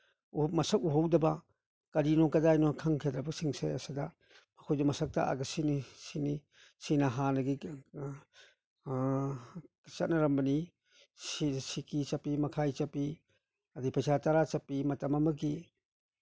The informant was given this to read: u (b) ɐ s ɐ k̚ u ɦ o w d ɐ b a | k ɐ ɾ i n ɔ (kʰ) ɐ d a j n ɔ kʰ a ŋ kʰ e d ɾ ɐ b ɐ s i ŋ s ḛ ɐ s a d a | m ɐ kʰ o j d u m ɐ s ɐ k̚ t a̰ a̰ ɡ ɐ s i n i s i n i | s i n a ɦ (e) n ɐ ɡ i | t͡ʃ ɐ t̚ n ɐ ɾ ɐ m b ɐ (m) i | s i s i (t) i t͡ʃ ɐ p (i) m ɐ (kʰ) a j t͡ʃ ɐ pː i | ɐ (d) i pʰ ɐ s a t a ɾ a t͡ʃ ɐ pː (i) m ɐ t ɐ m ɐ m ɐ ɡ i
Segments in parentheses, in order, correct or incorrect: incorrect, incorrect, incorrect, incorrect, incorrect, correct, correct, correct, correct

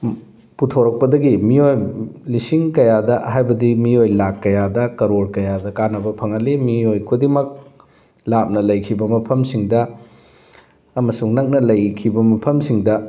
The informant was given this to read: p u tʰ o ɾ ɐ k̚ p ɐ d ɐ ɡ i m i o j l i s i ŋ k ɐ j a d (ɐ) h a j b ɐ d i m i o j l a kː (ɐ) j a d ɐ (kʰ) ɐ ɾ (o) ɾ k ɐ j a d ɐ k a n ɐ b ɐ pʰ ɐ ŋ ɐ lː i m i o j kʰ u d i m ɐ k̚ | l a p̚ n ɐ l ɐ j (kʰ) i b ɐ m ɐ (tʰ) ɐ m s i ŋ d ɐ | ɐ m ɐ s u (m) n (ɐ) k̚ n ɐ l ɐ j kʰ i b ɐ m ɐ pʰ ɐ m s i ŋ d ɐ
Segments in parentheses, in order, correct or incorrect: correct, correct, incorrect, correct, correct, incorrect, incorrect, correct

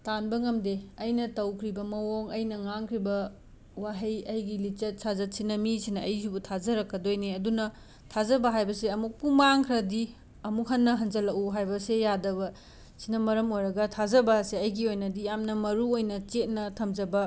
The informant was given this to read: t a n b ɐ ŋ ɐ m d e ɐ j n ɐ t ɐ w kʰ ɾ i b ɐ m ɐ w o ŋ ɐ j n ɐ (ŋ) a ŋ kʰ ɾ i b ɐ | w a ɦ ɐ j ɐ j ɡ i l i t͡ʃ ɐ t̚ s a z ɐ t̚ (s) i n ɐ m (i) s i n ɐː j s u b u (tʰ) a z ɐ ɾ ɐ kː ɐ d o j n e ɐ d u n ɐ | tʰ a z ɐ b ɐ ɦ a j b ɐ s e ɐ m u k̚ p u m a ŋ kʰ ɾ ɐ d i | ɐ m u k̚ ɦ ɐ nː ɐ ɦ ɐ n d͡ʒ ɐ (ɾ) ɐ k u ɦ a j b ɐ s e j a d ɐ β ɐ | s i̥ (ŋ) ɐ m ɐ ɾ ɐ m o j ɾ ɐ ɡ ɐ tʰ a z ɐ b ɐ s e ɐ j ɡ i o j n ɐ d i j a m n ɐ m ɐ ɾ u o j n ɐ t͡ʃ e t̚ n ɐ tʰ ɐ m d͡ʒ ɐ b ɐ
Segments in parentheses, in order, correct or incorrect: correct, correct, correct, correct, incorrect, incorrect

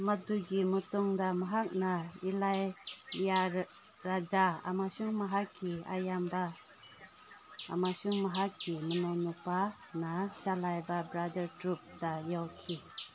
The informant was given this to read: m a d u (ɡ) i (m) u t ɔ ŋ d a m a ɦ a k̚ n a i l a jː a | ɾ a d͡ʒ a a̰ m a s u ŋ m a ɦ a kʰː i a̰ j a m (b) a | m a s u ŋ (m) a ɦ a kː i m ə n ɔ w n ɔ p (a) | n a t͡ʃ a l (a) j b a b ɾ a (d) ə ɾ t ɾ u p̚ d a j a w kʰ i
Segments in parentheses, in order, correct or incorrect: correct, correct, correct, correct, correct, correct, correct

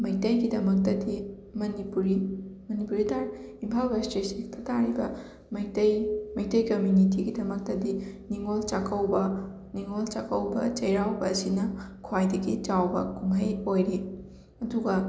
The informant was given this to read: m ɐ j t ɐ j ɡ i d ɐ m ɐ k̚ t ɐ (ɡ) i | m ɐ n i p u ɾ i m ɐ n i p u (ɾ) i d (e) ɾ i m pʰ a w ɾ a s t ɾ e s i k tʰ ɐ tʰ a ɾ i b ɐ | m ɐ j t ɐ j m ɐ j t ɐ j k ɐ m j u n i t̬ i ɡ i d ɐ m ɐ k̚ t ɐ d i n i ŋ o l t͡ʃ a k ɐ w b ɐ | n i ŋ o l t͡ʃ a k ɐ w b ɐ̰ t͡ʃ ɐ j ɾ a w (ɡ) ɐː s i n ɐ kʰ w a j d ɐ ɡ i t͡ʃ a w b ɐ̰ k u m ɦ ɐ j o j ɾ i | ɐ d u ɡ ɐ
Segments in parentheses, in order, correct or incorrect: incorrect, correct, incorrect, incorrect

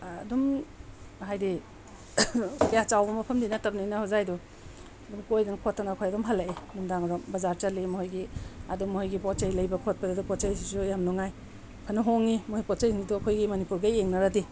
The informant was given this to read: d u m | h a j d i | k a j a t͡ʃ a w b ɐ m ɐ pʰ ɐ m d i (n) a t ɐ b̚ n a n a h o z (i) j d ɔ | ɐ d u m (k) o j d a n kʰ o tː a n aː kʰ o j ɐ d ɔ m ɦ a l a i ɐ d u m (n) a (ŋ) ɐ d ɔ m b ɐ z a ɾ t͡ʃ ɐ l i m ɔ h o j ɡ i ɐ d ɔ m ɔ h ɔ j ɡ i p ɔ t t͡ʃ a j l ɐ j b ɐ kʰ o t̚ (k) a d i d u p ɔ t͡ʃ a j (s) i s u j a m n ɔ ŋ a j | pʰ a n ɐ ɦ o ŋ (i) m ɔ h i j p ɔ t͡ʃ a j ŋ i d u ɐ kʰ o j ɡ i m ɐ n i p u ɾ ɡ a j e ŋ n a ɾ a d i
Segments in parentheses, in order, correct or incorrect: correct, incorrect, correct, incorrect, correct, incorrect, correct, correct

